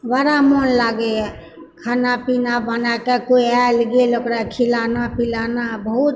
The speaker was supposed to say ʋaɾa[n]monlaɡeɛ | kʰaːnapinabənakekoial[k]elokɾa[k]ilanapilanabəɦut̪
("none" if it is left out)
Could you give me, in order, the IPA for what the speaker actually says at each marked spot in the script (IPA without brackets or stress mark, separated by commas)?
none, ɡ, kʰ